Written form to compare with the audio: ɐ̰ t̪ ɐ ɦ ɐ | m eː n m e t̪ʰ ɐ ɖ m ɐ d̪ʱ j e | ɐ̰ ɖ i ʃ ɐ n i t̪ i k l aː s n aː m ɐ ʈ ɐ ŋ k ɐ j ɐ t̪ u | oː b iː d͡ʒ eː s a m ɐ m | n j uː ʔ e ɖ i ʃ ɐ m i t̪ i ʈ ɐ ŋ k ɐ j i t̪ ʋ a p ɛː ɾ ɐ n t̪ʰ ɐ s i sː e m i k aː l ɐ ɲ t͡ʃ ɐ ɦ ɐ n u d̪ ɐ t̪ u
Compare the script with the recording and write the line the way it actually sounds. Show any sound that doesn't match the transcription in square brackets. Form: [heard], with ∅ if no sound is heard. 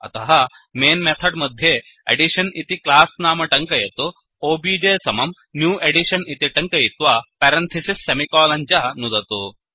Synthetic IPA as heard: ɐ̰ t̪ ɐ ɦ ɐ | m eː n m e t̪ʰ ɐ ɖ m ɐ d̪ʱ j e | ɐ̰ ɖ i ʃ ɐ n i t̪ i k l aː s n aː m ɐ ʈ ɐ ŋ k ɐ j ɐ t̪ u | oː b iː d͡ʒ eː s [ɐ] m ɐ m | n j uː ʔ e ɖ i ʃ ɐ [n] i t̪ i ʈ ɐ ŋ k ɐ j i t̪ ʋ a p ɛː ɾ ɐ n t̪ʰ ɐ s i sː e m i k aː l ɐ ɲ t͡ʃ ɐ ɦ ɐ n u d̪ ɐ t̪ u